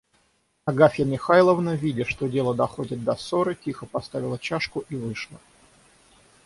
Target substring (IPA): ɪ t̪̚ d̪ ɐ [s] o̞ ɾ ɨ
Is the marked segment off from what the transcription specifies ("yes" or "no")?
no